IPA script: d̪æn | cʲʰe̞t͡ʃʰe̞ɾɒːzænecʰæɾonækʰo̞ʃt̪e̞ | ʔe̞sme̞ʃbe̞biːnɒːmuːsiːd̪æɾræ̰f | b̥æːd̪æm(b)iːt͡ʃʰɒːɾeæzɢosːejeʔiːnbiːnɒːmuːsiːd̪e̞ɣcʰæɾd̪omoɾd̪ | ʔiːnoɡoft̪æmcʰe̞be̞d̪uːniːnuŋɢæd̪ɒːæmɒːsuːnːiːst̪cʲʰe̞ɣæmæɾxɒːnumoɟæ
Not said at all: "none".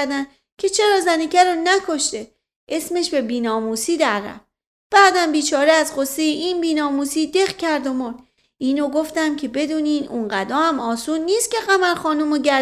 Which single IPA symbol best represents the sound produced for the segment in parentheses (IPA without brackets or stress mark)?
b